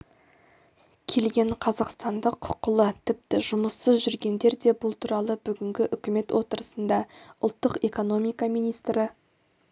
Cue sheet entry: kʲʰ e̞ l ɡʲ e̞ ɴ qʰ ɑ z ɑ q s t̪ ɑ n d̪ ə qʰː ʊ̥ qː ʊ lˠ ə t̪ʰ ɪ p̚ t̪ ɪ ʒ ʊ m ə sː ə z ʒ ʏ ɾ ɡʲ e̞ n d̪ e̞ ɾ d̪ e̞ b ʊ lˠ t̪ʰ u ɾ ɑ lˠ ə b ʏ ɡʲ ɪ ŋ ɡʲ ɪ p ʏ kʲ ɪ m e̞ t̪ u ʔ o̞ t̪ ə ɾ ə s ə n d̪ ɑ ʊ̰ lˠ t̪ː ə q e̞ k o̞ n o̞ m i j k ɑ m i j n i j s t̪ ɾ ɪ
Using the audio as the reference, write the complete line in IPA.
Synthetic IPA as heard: kʲʰ e̞ l ɡʲ e̞ ɴ qʰ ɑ z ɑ q s t̪ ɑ n d̪ ə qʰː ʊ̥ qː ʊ lˠ ə t̪ʰ ɪ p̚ t̪ ɪ ʒ ʊ m ə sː ə z ʒ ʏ ɾ ɡʲ e̞ n d̪ e̞ ɾ d̪ e̞ b ʊ lˠ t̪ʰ u ɾ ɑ lˠ ə b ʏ ɡʲ ɪ ŋ ɡʲ ɪ ʔ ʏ kʲ ɪ m e̞ t̪ w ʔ o̞ t̪ ə ɾ ə s ə n d̪ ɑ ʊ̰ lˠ t̪ː ə q e̞ k o̞ n o̞ m i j k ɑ m i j n i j s t̪ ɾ ɪ